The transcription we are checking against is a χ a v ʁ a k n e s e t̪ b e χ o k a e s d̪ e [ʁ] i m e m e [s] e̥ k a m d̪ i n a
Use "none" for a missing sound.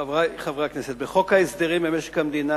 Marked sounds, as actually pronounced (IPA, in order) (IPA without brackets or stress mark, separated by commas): ʁ, ʃ